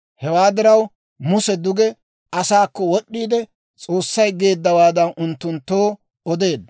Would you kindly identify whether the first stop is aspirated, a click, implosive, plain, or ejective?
plain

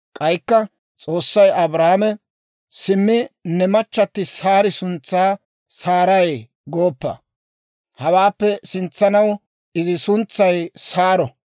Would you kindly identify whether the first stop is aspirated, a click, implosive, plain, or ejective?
ejective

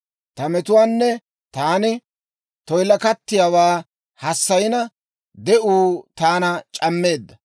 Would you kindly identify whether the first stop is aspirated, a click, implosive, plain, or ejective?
plain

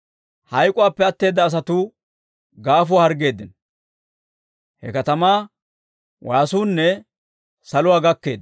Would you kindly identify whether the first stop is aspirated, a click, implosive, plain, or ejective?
ejective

